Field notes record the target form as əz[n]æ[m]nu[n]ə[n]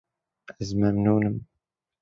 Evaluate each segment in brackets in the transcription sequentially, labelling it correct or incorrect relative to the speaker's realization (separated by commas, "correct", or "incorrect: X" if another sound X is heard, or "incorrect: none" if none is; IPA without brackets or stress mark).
incorrect: m, correct, correct, incorrect: m